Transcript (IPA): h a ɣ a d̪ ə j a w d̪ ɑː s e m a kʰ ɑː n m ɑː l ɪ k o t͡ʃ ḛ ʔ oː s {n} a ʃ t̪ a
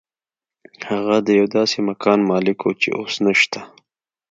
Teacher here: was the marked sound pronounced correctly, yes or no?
yes